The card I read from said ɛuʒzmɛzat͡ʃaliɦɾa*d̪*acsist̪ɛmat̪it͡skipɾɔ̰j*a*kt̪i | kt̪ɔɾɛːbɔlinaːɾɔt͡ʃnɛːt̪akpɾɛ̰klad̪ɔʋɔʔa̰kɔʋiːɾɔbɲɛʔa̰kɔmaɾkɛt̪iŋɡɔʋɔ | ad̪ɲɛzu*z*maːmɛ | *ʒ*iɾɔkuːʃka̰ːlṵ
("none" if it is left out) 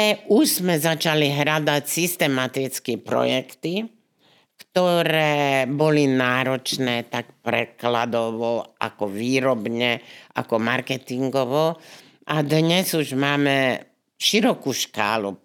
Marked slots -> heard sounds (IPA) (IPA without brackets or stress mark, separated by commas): d̪, ɛ, ʒ, ʃ